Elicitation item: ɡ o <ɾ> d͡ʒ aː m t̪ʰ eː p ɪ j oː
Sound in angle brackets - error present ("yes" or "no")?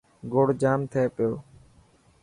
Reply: yes